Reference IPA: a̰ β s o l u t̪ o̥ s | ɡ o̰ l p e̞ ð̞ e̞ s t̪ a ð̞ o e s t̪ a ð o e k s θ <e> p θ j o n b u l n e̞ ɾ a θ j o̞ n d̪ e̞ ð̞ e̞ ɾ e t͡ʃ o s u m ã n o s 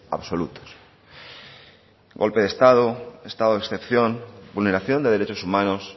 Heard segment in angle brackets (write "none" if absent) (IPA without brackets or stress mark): e